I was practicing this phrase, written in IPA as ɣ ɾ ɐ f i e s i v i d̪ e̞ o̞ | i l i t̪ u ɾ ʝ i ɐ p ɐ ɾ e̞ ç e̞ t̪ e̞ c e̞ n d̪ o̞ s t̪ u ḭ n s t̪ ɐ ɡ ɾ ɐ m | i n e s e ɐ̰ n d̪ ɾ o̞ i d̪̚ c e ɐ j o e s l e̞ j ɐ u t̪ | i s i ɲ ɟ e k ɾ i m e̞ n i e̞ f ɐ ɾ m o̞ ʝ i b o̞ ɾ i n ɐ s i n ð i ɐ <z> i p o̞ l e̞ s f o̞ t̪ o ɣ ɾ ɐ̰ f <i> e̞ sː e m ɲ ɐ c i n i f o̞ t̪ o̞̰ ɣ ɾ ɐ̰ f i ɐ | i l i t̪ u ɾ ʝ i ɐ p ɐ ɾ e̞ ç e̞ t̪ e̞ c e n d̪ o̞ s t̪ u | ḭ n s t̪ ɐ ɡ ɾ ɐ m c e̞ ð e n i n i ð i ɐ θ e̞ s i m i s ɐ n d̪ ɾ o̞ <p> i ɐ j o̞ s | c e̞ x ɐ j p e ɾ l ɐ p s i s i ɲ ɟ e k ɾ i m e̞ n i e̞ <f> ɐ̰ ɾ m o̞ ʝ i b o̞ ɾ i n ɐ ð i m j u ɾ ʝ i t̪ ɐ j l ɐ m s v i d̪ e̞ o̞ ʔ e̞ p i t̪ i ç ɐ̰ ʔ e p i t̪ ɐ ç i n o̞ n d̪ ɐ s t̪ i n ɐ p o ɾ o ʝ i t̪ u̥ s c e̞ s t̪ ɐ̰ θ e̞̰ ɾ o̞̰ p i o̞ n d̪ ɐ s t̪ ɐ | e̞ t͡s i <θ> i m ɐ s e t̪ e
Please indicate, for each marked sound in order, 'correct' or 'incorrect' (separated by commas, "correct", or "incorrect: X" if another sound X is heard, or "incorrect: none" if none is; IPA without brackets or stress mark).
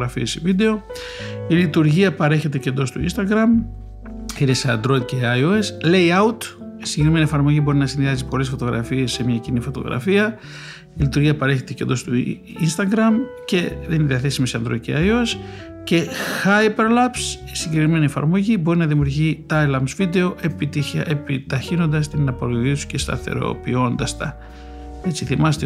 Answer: correct, correct, incorrect: c, correct, correct